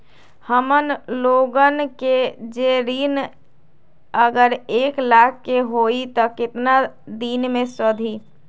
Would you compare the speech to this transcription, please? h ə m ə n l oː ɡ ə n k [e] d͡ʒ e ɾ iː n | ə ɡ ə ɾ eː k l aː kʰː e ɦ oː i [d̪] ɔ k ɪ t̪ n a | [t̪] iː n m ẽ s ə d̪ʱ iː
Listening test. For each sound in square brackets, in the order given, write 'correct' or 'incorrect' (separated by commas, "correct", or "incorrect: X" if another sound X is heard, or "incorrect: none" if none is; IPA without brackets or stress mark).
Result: correct, incorrect: t̪, incorrect: d̪